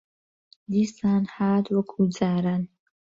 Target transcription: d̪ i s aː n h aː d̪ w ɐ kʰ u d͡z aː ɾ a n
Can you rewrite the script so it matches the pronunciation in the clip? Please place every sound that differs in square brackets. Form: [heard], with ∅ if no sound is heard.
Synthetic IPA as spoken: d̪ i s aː n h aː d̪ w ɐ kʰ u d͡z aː ɾ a n